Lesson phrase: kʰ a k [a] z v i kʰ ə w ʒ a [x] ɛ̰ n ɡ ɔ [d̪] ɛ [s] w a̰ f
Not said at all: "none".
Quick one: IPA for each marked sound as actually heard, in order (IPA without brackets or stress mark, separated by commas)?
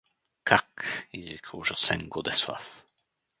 i, s, d̪, s